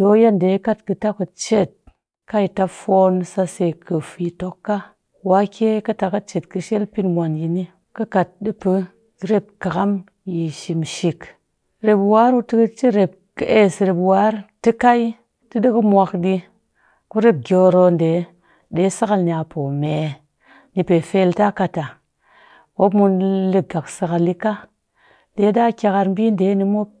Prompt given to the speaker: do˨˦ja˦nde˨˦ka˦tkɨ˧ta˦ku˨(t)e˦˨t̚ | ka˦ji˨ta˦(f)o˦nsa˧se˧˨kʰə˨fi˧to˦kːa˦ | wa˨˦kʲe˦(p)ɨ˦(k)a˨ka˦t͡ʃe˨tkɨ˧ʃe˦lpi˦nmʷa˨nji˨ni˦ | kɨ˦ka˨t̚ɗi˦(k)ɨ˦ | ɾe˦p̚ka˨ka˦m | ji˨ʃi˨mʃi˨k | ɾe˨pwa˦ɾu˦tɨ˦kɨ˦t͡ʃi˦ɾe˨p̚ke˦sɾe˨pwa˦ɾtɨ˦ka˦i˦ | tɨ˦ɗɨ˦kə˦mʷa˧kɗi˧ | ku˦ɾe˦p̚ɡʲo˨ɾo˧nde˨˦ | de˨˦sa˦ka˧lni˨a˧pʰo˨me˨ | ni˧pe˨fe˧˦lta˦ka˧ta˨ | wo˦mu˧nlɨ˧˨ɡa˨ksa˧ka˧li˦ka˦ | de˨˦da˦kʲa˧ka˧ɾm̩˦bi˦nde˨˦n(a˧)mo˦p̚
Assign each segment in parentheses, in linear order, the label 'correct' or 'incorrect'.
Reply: incorrect, correct, incorrect, incorrect, incorrect, incorrect

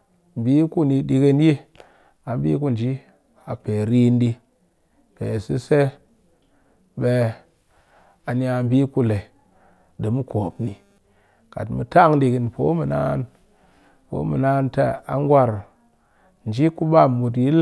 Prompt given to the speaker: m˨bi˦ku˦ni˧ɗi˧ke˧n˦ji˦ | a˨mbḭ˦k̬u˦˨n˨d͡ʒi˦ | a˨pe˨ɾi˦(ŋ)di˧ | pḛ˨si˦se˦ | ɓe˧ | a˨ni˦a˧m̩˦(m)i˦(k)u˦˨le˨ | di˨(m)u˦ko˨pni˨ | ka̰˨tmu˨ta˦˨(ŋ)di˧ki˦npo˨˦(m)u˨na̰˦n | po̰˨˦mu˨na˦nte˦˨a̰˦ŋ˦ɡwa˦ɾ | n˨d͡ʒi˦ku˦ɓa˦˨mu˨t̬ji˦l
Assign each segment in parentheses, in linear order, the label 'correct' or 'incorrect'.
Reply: incorrect, incorrect, correct, correct, correct, correct

